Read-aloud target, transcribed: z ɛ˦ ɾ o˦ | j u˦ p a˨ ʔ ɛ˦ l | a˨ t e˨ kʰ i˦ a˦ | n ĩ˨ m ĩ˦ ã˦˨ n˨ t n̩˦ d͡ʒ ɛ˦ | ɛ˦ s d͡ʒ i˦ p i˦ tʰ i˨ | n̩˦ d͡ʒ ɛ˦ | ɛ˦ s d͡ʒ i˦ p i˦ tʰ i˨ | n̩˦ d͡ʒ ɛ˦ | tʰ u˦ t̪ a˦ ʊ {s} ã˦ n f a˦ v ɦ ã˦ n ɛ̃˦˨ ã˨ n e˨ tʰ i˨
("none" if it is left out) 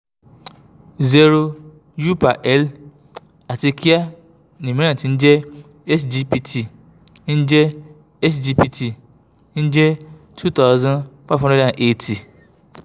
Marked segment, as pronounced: z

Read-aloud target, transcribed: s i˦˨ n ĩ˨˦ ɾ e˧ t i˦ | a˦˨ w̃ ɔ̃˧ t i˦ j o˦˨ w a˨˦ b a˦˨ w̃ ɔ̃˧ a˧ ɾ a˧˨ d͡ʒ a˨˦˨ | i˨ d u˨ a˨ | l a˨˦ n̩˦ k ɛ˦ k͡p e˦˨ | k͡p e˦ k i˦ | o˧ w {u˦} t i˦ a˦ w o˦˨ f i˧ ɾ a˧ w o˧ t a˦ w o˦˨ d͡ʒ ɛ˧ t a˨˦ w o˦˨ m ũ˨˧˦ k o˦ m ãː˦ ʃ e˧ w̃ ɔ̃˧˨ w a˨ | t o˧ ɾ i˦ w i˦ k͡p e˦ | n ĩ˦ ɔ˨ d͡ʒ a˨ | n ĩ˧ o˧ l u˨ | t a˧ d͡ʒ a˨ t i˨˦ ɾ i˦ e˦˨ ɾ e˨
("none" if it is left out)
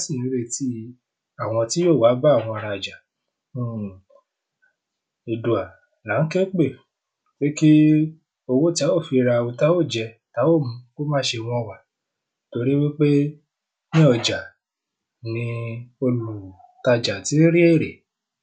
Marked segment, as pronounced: o˦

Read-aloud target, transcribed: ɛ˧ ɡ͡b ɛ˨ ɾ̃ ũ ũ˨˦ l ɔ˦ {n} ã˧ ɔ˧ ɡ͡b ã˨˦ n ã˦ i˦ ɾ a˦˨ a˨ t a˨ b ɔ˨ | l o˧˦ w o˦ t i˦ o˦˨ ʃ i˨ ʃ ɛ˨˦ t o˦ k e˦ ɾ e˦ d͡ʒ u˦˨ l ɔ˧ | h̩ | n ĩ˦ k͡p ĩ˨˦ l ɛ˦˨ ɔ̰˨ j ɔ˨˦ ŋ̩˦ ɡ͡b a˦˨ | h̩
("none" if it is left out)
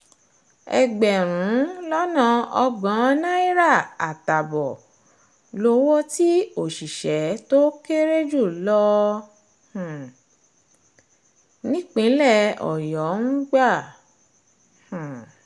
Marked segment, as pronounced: n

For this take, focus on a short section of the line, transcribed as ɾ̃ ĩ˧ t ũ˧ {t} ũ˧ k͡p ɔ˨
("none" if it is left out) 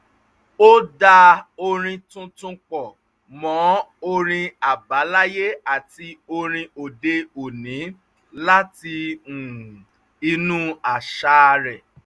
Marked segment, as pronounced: t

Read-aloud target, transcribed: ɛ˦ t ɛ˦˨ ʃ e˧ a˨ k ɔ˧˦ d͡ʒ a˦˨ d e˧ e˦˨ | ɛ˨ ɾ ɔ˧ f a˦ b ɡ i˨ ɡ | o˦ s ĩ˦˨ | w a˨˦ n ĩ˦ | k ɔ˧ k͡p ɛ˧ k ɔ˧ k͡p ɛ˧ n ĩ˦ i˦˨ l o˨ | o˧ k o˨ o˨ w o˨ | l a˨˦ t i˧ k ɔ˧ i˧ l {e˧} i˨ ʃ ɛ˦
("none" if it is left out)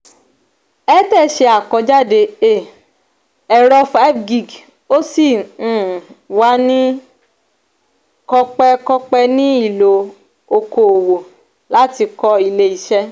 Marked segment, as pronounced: e˧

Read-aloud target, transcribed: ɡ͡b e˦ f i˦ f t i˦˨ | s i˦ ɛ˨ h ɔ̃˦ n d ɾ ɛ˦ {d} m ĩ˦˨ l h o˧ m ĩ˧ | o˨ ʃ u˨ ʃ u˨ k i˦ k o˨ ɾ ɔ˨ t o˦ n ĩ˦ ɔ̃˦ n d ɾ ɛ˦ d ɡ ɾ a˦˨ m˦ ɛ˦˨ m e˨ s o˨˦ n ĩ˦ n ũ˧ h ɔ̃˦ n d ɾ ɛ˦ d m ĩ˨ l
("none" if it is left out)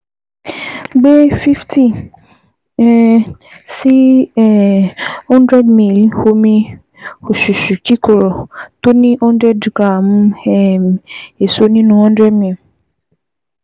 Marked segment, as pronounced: d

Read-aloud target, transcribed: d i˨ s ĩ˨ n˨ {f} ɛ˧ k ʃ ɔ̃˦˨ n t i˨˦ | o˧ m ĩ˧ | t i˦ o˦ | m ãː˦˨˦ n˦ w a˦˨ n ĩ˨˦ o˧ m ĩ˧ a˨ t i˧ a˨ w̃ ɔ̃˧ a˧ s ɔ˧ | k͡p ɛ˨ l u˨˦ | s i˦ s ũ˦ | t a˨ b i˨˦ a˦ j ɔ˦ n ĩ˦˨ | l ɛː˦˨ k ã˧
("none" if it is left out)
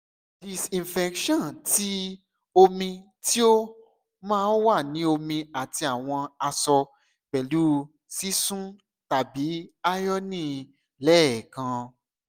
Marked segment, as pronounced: f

